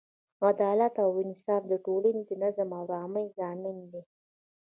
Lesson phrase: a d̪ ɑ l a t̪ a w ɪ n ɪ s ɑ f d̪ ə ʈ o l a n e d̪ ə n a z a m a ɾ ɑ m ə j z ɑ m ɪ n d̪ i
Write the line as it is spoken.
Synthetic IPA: a d̪ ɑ l a t̪ a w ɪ n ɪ s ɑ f d̪ ə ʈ o l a n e d̪ ə n a z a m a ɾ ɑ m ə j z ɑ m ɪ n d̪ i